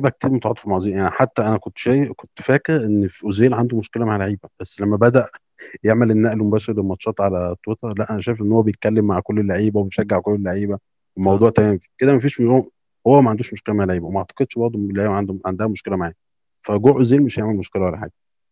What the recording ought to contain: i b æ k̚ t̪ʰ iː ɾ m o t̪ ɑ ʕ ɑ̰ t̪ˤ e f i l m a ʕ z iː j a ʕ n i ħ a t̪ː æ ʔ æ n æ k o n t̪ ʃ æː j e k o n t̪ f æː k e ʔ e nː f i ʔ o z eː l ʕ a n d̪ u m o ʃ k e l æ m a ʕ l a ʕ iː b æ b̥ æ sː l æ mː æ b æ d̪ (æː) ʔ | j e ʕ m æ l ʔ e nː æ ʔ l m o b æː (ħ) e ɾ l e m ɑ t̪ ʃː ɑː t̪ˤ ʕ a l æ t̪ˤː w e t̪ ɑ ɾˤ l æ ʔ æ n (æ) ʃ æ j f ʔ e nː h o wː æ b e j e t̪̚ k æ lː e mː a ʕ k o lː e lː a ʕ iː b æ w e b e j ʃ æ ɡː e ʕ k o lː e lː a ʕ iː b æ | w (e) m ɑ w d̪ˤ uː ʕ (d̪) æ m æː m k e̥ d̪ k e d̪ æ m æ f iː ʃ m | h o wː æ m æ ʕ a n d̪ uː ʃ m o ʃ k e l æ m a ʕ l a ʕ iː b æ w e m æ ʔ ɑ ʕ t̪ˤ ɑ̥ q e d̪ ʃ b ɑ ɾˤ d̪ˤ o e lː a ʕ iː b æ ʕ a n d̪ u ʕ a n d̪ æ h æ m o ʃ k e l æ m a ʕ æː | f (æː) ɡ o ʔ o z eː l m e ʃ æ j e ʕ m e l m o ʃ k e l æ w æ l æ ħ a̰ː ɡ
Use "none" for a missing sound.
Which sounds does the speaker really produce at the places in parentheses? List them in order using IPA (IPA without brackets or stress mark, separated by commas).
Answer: æ, ʃ, æ, e, t̪, æ